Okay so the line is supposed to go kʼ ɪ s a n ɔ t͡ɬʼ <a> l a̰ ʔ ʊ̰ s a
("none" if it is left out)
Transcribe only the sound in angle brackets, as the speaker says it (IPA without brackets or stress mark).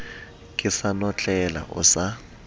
ɛ